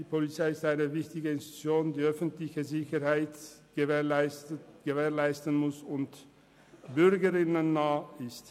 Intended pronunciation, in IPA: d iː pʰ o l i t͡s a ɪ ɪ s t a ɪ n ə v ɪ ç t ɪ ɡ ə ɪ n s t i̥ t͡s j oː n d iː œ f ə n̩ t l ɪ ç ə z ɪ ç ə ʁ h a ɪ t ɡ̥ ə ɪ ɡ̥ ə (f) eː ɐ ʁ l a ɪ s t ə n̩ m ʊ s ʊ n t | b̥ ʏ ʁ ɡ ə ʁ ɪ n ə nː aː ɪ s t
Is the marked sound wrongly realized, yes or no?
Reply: yes